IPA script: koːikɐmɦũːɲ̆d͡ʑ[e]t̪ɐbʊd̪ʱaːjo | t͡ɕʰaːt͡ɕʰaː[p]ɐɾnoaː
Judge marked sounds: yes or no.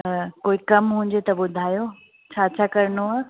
yes, no

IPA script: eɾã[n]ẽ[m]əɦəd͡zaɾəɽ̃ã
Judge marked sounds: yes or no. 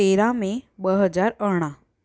no, no

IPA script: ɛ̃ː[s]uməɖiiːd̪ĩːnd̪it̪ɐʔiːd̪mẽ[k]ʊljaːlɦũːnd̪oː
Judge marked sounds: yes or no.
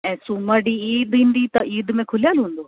yes, no

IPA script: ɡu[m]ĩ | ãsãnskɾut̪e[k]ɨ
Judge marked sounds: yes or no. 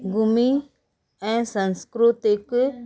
yes, yes

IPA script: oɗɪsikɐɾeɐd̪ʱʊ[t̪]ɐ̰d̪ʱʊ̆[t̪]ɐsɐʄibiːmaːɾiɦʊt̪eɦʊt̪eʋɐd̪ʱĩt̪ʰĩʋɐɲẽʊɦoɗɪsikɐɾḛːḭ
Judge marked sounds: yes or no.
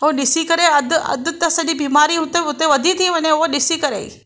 no, yes

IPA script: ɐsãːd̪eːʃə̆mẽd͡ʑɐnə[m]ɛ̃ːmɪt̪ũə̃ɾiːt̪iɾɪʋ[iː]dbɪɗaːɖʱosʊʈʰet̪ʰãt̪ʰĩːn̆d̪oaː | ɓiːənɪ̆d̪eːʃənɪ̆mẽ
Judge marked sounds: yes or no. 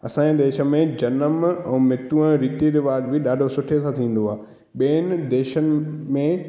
yes, no

